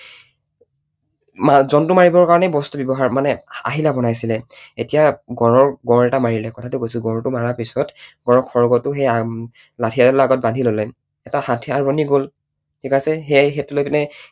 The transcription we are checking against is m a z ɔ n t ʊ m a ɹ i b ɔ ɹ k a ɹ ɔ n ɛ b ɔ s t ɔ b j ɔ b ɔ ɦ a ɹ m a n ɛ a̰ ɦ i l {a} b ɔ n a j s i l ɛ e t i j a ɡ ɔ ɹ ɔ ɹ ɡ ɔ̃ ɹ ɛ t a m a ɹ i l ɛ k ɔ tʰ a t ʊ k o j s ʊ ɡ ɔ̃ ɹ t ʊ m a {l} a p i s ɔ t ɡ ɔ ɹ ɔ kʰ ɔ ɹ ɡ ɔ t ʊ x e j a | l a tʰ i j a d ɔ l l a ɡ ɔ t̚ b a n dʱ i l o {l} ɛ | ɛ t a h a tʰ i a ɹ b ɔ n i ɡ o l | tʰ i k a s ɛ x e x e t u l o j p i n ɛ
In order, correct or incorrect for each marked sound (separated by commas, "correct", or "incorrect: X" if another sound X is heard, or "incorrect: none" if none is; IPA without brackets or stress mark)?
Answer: correct, incorrect: ɹ, correct